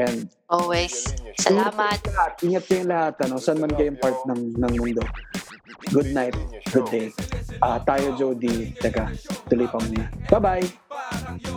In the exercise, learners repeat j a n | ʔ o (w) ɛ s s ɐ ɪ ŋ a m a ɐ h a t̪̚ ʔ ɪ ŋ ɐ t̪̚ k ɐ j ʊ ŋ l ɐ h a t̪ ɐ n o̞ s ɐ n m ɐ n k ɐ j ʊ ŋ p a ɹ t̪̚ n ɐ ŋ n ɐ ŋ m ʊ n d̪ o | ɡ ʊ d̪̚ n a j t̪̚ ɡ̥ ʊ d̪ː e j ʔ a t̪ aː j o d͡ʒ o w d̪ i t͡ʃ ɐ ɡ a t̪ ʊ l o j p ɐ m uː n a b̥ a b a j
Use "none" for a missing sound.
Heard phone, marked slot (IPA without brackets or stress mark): w